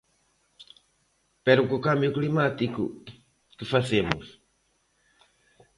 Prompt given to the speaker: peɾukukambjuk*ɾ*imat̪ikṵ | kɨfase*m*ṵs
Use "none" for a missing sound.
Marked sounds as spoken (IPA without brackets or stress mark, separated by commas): l, m